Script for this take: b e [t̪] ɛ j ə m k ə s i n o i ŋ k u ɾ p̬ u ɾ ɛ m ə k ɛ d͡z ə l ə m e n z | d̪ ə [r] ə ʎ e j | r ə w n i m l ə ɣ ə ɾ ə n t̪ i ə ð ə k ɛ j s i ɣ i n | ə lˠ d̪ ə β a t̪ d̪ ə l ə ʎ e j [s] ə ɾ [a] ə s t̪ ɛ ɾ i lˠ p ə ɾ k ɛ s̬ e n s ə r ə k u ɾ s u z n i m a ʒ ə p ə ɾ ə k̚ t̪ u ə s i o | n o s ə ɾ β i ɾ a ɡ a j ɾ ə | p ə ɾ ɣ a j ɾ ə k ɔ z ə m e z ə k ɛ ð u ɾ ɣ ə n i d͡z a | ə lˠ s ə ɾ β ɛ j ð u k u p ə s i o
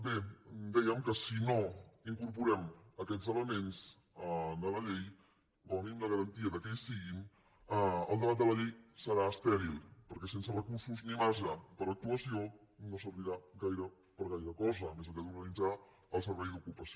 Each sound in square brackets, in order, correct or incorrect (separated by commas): incorrect, incorrect, correct, correct